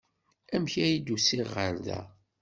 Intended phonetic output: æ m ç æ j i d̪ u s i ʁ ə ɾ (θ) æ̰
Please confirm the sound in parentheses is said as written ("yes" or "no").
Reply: no